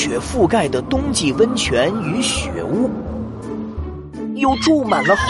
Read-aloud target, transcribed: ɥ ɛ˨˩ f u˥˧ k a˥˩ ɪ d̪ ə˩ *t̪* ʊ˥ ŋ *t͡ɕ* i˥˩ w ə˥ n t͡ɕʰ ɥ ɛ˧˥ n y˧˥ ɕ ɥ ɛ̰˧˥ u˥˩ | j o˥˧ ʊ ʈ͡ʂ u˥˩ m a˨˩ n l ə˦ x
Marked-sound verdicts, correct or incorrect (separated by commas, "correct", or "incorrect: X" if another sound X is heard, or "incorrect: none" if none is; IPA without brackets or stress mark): correct, correct